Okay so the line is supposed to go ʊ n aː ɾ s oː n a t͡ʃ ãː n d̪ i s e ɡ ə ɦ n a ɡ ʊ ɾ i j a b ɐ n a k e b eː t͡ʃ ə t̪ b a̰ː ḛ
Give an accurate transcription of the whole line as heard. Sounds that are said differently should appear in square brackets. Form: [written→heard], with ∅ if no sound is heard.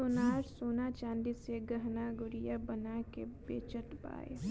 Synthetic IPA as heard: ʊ n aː ɾ s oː n a t͡ʃ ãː n d̪ i s e ɡ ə ɦ n a ɡ ʊ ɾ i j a b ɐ n a k e b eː t͡ʃ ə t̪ b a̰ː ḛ